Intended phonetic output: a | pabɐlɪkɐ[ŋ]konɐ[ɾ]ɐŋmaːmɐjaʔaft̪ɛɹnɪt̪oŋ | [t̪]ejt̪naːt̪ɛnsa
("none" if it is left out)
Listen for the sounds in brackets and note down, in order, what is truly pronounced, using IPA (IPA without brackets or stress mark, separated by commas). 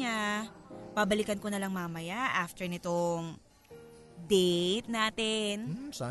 n, l, d̪